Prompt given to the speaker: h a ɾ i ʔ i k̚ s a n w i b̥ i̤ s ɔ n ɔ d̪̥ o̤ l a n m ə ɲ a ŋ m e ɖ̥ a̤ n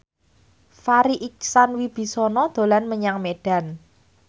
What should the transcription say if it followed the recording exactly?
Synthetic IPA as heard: f a ɾ i ʔ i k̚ s a n w i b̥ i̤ s ɔ n ɔ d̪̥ o̤ l a n m ə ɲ a ŋ m e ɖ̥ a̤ n